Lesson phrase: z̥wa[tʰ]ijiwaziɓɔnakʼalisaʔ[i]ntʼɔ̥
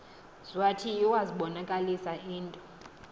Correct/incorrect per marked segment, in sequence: correct, incorrect

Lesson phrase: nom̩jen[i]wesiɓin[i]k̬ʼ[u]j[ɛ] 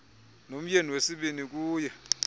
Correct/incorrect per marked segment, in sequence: correct, correct, incorrect, correct

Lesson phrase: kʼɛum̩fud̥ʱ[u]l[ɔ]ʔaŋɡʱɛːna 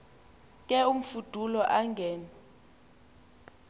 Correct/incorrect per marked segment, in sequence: correct, correct

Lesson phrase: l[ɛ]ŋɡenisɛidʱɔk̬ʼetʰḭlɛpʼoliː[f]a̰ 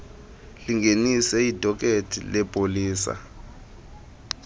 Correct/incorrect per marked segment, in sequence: incorrect, incorrect

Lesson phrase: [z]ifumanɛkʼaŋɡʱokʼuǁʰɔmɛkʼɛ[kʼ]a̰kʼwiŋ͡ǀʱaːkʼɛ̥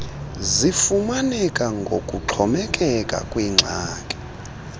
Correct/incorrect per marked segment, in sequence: correct, correct

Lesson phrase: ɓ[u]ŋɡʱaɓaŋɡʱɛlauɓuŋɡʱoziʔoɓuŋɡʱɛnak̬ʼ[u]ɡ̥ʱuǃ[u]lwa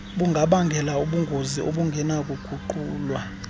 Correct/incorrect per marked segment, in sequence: correct, correct, incorrect

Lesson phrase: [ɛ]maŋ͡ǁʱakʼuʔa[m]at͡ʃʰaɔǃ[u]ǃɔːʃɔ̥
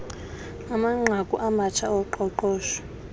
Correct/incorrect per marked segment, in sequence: incorrect, correct, incorrect

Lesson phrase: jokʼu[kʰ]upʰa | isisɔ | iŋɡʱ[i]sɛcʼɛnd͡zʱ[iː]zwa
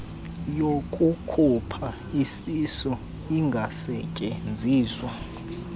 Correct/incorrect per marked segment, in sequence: correct, incorrect, correct

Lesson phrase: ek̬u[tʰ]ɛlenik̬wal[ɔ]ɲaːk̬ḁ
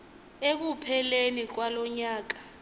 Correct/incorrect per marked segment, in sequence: incorrect, correct

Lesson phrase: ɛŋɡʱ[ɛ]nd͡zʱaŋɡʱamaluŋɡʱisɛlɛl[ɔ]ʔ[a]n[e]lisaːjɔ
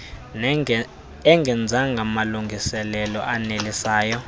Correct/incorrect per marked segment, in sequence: correct, correct, correct, correct

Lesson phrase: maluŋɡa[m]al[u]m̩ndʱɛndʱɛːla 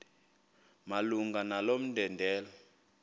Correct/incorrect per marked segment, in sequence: incorrect, incorrect

